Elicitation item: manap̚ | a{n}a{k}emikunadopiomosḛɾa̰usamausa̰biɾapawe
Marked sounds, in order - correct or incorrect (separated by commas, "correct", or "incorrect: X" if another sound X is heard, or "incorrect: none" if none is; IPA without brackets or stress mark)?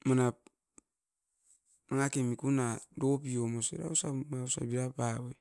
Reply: incorrect: ŋ, correct